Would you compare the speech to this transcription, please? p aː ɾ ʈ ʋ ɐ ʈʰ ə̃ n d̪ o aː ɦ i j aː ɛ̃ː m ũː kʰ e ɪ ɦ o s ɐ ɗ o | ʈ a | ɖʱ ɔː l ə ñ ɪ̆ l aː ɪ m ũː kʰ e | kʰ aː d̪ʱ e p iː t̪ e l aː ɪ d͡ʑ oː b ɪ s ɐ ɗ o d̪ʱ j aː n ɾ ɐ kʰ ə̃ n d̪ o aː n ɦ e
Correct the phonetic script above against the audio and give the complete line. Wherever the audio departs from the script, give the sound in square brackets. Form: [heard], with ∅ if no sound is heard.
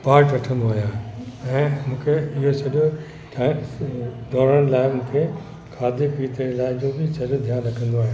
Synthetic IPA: p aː ɾ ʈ ʋ ɐ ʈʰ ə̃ n d̪ o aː ɦ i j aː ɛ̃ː m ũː kʰ e ɪ ɦ o s ɐ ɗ o | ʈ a | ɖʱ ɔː [ɾ] ə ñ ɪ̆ l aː ɪ m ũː kʰ e | kʰ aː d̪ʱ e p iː t̪ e l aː ɪ d͡ʑ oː b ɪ s ɐ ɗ o d̪ʱ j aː n ɾ ɐ kʰ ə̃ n d̪ o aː [∅] ɦ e